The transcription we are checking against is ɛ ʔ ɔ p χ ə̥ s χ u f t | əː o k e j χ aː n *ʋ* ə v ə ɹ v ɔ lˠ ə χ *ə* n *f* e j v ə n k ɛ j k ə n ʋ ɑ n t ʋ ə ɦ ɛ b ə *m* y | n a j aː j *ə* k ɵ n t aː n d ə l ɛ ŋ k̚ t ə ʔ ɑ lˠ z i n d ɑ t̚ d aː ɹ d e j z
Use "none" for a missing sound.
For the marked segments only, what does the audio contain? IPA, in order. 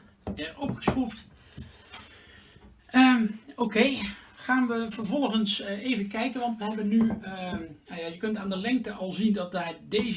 ʋ, ə, s, n, ə

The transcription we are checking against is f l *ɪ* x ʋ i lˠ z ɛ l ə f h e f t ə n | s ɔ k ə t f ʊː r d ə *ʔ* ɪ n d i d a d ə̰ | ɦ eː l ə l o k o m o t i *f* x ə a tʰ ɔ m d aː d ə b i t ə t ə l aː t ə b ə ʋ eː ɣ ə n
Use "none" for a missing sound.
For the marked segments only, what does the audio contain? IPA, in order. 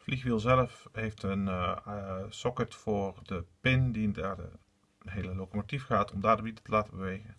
i, p, f

